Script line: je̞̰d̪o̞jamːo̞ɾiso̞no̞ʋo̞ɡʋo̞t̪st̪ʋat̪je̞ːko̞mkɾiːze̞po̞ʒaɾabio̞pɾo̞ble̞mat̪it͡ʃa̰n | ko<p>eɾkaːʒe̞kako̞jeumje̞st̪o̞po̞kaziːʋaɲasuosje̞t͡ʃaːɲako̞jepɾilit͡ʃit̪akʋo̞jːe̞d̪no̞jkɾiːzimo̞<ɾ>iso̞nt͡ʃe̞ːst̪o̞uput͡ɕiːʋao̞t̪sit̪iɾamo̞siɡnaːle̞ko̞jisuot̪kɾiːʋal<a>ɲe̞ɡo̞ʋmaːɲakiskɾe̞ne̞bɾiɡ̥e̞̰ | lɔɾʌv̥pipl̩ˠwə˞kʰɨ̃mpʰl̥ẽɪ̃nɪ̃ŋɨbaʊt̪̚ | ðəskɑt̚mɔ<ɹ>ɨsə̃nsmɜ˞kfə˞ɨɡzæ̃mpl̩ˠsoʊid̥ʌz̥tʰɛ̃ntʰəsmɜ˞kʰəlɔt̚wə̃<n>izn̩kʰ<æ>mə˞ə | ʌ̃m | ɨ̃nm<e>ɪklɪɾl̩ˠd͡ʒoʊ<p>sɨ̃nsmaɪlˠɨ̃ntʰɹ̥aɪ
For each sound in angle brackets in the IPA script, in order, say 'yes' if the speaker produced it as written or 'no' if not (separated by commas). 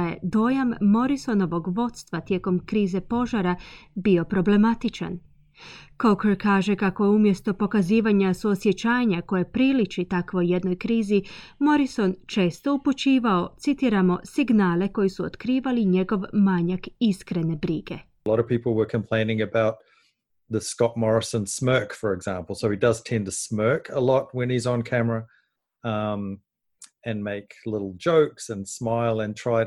no, yes, no, yes, yes, yes, yes, no